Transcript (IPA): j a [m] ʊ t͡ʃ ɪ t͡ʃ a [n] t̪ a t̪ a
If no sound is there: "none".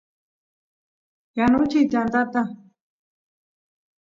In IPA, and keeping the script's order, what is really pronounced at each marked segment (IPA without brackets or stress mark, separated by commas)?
n, n